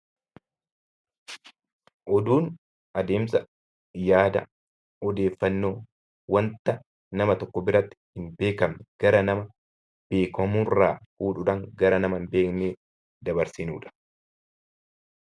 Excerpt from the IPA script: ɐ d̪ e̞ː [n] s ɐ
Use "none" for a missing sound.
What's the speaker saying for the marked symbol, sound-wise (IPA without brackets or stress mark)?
m